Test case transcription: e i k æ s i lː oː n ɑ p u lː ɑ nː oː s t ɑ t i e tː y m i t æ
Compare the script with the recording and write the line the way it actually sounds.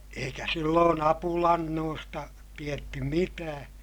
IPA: e i k æ s i lː oː n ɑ p u l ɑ nː oː s t ɑ t i e tː y m i t æː